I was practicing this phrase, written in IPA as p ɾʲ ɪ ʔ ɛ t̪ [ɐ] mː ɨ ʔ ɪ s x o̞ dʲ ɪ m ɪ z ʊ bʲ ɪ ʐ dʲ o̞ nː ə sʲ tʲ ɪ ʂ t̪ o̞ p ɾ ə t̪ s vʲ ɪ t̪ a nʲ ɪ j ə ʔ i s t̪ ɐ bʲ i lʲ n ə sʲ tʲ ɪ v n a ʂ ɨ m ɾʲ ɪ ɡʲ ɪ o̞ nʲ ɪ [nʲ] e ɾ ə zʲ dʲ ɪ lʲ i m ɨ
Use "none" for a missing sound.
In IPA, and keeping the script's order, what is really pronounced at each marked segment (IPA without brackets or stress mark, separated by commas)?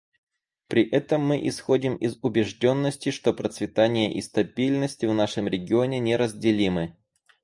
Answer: ə, nʲ